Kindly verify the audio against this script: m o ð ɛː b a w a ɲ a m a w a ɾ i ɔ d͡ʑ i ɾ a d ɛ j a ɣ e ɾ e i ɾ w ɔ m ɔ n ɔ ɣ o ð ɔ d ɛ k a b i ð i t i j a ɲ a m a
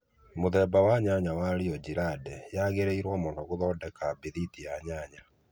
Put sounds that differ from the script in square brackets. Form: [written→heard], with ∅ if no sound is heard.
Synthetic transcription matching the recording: m o ð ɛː b a w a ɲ a [m→ɲ] a w a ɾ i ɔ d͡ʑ i ɾ a d ɛ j a ɣ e ɾ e i ɾ w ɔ m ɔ n ɔ ɣ o ð ɔ d ɛ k a b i ð i t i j a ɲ a [m→ɲ] a